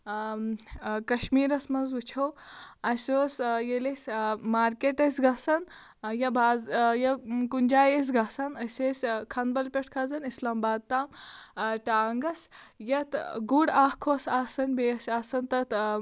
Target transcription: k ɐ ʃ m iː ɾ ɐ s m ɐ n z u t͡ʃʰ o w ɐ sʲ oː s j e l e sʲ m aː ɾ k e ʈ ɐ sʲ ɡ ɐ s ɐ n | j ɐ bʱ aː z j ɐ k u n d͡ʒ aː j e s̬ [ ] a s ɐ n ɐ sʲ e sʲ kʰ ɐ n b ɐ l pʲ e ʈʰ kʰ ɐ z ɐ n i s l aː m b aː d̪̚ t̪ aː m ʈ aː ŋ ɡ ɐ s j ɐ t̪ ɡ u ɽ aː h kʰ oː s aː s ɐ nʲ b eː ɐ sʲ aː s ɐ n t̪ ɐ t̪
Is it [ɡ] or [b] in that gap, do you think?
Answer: ɡ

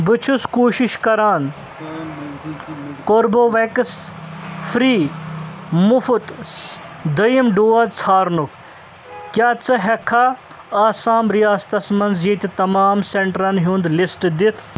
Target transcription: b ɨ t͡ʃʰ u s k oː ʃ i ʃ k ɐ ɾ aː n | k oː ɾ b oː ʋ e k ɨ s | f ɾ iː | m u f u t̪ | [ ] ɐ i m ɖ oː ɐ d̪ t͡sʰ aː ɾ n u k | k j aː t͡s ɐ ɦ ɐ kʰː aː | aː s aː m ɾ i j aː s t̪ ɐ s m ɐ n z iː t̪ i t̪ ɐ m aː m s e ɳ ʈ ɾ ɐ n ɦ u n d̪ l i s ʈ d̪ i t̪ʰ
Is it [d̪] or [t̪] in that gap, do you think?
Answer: d̪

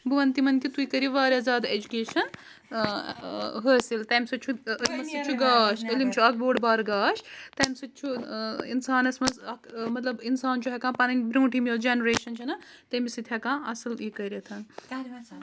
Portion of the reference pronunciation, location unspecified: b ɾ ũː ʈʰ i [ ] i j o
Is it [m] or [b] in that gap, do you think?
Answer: m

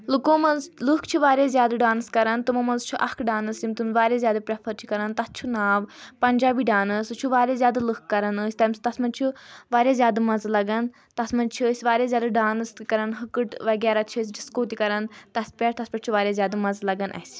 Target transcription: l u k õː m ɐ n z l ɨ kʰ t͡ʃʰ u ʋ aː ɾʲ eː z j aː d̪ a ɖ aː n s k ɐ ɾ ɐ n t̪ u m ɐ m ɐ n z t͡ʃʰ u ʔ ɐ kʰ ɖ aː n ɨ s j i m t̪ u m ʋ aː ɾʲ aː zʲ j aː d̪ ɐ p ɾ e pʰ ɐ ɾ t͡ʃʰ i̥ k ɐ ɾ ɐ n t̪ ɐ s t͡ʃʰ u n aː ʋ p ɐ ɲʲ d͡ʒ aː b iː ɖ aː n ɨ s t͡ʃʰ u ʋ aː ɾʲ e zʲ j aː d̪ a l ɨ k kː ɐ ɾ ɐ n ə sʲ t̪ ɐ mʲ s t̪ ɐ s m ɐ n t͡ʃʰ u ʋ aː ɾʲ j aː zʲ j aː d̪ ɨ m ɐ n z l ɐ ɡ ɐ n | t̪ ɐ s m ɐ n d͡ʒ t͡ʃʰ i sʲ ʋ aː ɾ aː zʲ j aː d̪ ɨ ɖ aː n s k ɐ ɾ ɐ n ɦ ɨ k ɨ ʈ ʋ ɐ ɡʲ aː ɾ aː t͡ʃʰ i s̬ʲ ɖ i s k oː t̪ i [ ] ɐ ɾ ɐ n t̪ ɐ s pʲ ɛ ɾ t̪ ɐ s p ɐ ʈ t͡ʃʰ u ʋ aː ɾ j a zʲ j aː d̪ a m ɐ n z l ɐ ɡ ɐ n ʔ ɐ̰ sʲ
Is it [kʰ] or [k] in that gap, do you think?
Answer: k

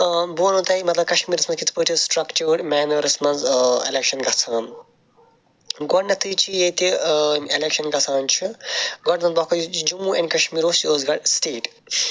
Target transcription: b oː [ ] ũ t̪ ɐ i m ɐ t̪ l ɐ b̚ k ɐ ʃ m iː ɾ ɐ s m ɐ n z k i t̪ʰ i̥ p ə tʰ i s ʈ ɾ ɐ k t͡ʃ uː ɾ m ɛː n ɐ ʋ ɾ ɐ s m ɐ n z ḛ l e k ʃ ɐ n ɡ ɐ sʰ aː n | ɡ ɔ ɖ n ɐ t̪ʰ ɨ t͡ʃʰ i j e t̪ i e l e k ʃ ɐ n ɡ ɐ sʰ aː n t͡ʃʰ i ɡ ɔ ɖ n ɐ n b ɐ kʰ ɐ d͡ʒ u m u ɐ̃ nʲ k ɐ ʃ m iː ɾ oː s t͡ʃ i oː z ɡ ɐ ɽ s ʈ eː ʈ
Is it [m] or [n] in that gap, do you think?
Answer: n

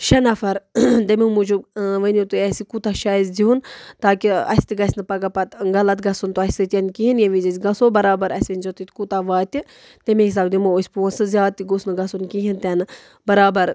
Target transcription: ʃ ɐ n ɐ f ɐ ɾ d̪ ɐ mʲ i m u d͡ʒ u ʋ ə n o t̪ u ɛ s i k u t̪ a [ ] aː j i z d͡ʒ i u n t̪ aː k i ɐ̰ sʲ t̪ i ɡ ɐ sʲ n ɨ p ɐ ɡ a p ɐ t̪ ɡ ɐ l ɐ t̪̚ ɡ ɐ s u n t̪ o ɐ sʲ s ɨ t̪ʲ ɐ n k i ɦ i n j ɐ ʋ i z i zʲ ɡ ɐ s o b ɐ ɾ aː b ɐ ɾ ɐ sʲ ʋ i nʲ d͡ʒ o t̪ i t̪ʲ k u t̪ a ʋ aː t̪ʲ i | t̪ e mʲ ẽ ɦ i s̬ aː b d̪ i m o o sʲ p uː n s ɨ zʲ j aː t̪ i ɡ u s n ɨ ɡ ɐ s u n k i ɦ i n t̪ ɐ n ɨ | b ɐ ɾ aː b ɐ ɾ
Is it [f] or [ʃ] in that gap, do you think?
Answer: ʃ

